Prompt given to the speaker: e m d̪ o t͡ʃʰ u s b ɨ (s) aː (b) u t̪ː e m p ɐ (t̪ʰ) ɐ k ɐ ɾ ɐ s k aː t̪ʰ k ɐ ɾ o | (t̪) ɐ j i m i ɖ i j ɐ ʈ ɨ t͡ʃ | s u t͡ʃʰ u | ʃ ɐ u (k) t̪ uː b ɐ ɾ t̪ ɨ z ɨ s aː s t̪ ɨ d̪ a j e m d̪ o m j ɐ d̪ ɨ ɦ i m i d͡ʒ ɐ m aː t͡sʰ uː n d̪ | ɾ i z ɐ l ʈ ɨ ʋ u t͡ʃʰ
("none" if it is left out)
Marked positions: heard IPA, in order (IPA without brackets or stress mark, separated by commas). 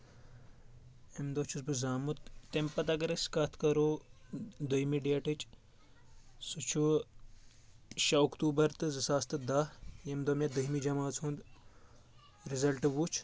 z, m, t̪, d̪, k